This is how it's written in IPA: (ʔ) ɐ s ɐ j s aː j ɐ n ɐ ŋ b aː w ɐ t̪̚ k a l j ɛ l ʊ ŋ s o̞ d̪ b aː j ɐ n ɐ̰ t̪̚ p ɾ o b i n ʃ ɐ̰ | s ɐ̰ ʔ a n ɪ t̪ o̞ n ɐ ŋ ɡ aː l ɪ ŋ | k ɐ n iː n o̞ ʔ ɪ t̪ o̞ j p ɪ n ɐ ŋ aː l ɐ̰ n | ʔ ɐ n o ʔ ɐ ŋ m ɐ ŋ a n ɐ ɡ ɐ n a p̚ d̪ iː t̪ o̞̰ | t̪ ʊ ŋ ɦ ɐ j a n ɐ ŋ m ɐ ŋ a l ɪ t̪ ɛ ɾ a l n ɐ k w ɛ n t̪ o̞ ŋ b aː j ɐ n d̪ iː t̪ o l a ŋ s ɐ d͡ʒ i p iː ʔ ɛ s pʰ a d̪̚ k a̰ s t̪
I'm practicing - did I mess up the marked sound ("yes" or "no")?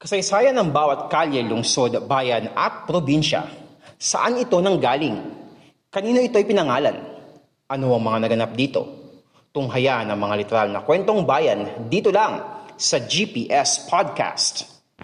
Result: yes